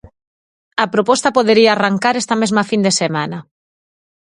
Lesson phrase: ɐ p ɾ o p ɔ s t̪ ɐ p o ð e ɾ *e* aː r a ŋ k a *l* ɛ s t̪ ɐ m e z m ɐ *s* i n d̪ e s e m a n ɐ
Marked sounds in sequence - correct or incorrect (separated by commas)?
incorrect, incorrect, incorrect